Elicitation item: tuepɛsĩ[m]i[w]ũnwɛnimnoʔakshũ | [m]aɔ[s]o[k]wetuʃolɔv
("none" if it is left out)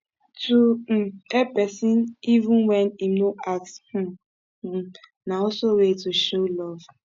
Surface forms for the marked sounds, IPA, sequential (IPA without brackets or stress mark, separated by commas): n, v, n, s, none